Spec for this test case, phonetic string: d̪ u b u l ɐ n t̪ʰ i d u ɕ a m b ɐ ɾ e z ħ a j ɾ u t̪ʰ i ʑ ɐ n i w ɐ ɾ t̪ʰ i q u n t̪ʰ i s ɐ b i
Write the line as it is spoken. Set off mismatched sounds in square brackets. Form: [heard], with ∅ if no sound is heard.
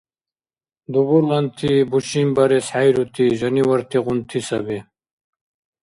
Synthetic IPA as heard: d̪ u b u l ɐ n t̪ʰ i [b] u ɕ [i] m b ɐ ɾ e [s] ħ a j ɾ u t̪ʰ i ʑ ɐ n i w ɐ ɾ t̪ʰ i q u n t̪ʰ i s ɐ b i